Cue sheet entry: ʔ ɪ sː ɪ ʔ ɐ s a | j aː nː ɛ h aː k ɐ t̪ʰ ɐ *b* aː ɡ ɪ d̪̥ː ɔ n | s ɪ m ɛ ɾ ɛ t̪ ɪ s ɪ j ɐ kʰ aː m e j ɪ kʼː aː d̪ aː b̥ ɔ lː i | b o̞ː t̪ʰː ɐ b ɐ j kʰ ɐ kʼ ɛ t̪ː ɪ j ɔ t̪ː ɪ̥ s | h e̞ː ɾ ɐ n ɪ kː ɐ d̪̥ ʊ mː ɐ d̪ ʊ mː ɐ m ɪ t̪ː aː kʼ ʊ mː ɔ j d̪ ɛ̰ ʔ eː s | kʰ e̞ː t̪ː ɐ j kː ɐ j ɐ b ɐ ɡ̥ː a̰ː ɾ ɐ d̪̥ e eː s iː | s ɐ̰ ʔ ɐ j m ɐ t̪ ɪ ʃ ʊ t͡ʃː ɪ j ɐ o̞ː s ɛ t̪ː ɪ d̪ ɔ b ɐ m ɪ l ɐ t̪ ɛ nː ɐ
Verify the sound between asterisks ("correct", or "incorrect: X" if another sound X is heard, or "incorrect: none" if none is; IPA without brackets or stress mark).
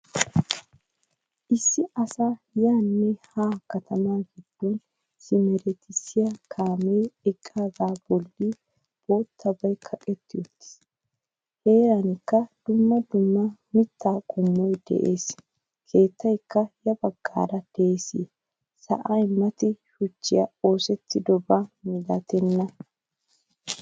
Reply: incorrect: m